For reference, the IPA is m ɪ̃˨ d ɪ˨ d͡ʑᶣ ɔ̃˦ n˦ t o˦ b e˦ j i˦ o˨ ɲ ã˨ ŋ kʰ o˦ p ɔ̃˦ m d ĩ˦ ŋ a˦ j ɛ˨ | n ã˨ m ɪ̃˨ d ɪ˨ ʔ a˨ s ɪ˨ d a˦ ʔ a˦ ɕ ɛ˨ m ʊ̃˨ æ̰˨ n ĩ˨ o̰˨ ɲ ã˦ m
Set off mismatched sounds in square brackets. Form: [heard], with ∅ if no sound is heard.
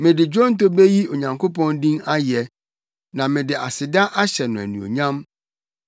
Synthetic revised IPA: m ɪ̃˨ d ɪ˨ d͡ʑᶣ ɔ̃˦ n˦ t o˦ b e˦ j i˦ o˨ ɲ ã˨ ŋ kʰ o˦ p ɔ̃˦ [n] d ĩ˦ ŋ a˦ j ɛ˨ | n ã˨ m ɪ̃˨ d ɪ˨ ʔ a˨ s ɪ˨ d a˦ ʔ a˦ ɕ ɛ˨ [n] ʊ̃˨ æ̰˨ n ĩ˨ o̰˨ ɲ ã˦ m

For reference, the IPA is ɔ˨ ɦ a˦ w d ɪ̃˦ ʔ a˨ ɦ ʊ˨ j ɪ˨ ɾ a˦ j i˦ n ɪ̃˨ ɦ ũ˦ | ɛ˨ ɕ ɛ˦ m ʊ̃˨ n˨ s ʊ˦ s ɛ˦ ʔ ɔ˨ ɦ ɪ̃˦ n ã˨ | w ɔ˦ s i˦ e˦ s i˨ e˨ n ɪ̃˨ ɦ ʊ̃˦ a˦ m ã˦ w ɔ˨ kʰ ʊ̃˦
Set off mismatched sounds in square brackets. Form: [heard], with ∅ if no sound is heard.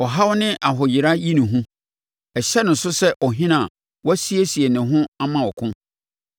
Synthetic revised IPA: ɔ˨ ɦ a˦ w [n] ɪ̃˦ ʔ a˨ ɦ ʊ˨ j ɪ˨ ɾ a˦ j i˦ n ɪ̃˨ ɦ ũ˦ | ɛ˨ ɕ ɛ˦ [n] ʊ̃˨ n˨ s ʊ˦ s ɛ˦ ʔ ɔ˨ ɦ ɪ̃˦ n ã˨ | w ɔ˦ s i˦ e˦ s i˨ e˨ n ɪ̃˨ ɦ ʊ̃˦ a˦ m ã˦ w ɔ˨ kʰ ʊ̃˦

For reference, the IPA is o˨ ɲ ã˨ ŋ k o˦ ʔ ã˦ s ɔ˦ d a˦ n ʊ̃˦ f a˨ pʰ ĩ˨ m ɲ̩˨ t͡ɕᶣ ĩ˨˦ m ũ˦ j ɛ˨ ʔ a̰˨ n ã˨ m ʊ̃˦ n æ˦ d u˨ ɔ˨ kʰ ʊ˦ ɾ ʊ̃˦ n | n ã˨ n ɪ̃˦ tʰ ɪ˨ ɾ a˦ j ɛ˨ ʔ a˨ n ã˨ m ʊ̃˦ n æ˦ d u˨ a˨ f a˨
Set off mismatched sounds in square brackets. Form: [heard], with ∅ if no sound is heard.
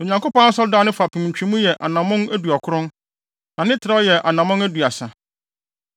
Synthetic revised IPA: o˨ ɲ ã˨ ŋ k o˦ [p] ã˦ s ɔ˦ d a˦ n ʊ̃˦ f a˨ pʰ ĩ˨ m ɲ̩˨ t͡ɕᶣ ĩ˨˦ m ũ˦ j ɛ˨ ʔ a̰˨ n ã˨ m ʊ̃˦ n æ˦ d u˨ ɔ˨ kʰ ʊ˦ ɾ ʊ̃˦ n | n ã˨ n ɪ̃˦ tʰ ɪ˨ ɾ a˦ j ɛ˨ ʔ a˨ n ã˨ m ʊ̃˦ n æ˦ d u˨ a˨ [s] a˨

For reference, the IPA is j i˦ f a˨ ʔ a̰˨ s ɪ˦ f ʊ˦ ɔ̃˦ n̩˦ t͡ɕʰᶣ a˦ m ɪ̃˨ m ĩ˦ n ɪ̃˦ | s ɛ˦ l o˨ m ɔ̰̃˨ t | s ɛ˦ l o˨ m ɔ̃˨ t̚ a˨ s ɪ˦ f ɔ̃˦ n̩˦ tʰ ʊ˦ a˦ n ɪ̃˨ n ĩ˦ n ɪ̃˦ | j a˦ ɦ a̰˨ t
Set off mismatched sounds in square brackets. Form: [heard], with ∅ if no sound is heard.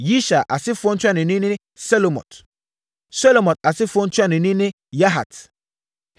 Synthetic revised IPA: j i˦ [ʃ] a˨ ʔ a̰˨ s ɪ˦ f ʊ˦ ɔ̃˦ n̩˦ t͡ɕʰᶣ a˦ [n] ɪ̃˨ [n] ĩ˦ n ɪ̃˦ | s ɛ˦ l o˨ m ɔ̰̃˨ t | s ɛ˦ l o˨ m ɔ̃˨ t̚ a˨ s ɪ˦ f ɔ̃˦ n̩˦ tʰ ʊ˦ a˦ n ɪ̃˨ n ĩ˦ n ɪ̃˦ | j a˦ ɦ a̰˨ t

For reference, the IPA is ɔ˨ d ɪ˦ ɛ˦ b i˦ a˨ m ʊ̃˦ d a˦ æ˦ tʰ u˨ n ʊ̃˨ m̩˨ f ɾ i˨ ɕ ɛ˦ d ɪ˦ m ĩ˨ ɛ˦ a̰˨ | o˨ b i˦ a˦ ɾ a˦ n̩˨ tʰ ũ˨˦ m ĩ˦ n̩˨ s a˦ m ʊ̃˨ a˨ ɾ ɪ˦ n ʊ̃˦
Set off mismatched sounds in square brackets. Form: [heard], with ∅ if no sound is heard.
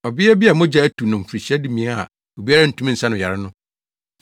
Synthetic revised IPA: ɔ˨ [b] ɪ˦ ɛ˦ b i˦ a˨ m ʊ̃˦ [d͡ʑ] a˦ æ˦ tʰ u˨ n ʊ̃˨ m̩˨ f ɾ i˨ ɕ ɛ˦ d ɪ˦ m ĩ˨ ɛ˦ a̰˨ | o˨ b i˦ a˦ ɾ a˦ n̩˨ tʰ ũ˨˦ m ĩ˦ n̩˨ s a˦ [n] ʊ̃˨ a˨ ɾ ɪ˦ n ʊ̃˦

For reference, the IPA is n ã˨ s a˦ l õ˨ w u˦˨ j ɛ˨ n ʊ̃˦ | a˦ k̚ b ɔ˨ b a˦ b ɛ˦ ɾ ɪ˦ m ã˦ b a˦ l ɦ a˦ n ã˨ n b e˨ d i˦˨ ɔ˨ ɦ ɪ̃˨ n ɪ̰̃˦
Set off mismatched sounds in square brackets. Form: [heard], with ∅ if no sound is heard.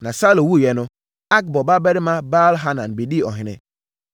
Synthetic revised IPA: n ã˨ s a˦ l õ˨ w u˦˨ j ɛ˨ n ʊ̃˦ | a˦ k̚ b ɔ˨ b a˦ b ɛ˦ ɾ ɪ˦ m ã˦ b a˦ l ɦ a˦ n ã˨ n b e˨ d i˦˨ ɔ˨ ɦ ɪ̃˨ n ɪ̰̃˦

